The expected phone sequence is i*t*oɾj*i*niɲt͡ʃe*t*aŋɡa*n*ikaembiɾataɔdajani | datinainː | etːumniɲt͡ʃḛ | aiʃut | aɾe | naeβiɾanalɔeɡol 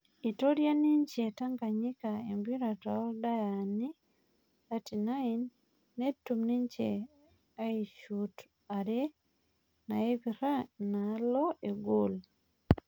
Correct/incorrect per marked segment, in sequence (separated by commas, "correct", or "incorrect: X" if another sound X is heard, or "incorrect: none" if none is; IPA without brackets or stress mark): correct, incorrect: a, correct, incorrect: ɲ